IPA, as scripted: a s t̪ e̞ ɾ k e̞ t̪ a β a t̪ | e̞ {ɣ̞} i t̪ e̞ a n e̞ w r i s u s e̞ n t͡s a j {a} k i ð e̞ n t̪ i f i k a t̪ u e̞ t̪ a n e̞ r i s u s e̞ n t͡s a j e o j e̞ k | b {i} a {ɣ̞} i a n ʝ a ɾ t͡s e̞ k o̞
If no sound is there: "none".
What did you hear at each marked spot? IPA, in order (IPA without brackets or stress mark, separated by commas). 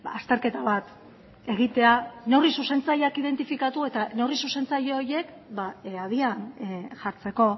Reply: ɣ̞, a, a, ð̞